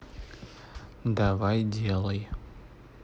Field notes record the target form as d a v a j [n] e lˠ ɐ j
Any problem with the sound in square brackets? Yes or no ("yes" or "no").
yes